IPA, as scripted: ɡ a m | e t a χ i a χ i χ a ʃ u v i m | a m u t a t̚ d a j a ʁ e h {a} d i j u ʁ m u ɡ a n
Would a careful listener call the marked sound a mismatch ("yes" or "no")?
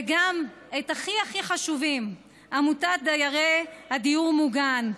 no